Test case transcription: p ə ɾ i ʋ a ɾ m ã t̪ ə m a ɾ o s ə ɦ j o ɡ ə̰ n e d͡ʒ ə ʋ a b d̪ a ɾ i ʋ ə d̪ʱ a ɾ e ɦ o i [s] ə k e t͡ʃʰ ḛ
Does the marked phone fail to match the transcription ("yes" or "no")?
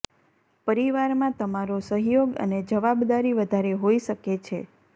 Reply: yes